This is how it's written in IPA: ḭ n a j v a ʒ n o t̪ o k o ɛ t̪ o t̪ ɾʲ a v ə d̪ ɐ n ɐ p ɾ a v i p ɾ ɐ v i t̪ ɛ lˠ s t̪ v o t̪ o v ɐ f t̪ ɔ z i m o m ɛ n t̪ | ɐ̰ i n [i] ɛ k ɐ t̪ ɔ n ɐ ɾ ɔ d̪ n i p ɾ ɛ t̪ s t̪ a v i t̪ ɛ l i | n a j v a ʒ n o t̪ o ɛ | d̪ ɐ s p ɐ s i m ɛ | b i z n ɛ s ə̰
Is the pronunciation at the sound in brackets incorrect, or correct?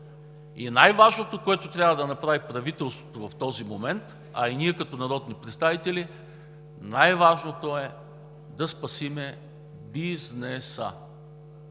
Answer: correct